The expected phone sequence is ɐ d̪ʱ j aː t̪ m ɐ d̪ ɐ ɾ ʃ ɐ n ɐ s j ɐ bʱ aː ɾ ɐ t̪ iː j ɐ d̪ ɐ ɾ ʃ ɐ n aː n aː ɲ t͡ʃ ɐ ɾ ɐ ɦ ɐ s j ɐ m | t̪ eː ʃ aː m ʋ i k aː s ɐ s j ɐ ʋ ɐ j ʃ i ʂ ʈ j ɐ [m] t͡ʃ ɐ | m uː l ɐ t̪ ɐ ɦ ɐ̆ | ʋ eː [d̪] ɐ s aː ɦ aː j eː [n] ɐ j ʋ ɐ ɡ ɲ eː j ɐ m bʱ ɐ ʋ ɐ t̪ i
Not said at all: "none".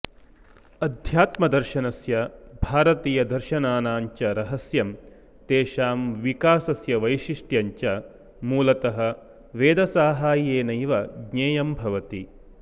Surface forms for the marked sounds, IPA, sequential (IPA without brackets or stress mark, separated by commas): ɲ, d̪, n